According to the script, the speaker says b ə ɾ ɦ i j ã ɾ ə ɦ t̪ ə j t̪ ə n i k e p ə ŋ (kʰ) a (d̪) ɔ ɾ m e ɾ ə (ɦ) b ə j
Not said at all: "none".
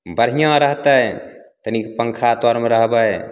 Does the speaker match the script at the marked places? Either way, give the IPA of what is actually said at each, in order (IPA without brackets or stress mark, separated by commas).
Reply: kʰ, t̪, ɦ